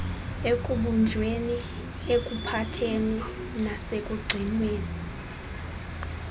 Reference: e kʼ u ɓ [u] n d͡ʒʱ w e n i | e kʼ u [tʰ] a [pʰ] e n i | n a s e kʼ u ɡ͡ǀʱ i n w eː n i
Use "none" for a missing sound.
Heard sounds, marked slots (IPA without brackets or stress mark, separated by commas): u, pʰ, tʰ